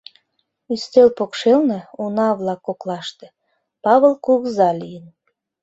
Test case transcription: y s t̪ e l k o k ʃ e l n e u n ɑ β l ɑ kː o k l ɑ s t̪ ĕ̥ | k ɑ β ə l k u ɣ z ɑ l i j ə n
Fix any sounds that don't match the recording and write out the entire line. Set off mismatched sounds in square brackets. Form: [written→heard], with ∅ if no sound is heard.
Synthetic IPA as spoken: y s t̪ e l [k→p] o k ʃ e l n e u n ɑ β l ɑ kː o k l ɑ [s→ʃ] t̪ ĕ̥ | [k→p] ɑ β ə l k u ɣ z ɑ l i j ə n